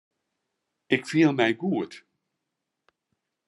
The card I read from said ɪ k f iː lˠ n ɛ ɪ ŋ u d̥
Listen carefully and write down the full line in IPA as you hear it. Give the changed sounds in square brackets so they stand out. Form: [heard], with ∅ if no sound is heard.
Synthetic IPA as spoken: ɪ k f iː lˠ [m] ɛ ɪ [ɡ] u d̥